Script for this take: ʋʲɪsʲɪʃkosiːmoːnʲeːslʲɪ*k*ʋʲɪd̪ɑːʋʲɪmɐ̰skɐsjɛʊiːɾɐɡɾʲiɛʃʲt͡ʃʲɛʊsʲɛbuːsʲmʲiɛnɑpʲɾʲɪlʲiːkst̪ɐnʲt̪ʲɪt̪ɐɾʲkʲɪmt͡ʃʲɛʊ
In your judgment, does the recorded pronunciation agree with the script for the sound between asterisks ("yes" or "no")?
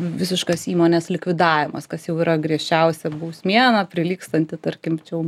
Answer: yes